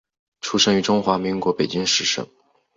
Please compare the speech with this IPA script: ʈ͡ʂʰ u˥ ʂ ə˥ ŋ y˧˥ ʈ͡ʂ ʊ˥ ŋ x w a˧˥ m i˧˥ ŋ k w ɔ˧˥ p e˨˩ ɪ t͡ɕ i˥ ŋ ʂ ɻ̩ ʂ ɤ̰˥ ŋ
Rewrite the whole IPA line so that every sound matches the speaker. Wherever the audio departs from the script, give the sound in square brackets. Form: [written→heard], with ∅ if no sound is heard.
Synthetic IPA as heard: ʈ͡ʂʰ u˥ ʂ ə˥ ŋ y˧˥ ʈ͡ʂ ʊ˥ ŋ x w a˧˥ m i˧˥ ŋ k w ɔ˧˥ p e˨˩ ɪ t͡ɕ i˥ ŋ ʂ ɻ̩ ʂ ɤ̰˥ ŋ